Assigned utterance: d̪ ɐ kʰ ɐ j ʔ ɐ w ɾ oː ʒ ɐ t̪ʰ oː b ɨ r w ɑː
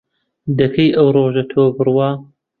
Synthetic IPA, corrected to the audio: d̪ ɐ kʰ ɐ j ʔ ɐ w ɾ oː ʒ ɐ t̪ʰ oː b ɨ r w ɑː